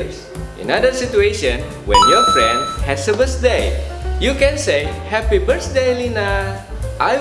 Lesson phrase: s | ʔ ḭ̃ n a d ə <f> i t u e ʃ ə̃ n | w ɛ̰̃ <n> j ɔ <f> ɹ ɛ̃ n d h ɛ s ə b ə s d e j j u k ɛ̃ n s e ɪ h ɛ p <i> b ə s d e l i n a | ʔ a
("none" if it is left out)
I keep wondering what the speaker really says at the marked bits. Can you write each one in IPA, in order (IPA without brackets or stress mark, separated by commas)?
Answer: s, n, f, i